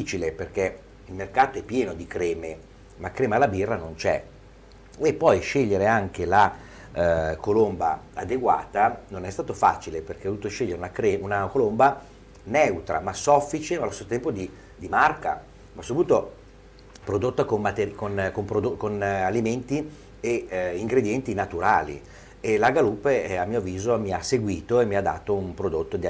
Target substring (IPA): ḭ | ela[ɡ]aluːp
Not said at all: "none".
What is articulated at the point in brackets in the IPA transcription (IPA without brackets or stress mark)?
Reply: ɡ